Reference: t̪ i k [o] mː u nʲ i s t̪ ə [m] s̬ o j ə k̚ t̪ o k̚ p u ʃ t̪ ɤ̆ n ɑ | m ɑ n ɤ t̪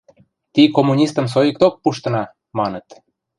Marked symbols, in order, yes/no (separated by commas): yes, yes